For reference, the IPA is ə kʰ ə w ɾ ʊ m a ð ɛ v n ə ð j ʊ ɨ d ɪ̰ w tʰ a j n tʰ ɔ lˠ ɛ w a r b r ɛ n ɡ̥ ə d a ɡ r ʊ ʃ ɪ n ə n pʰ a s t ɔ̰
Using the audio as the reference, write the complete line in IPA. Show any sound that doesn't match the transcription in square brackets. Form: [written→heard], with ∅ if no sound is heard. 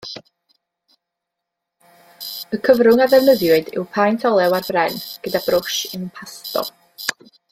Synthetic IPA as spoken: ə kʰ ə [w→v] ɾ ʊ [m→ŋ] a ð ɛ v n ə ð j ʊ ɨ d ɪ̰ w [tʰ→pʰ] a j n tʰ ɔ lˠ ɛ w a r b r ɛ n ɡ̥ ə d a [ɡ→b] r ʊ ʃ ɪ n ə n pʰ a s t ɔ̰